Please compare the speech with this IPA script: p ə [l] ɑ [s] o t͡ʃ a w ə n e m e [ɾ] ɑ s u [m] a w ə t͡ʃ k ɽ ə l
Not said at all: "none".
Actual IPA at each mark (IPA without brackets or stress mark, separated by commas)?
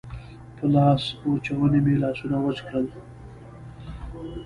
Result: l, s, l, n